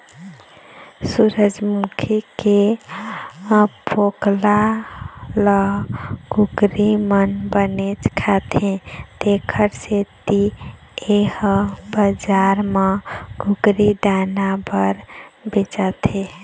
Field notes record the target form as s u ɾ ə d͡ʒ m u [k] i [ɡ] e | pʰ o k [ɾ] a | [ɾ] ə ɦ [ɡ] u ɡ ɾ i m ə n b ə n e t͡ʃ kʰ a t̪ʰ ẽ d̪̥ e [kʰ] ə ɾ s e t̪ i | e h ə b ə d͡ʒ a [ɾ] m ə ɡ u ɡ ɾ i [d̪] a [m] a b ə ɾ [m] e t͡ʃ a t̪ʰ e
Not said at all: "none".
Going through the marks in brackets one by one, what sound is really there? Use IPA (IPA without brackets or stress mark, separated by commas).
kʰ, k, l, l, ɡ, kʰ, ɾ, d̪, n, b